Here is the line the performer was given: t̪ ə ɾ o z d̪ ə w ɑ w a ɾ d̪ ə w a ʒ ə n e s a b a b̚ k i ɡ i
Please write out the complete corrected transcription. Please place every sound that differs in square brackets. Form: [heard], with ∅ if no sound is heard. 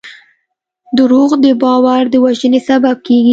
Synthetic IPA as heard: [d̪] ə ɾ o [ɣ] d̪ ə [b] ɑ w a ɾ d̪ ə w a ʒ ə n e s a b a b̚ k [e] ɡ i